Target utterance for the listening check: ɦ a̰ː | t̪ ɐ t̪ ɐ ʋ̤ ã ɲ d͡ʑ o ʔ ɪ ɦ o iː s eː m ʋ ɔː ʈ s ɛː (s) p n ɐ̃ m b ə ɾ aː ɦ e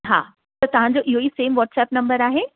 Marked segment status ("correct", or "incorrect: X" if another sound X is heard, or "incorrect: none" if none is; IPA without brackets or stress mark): incorrect: none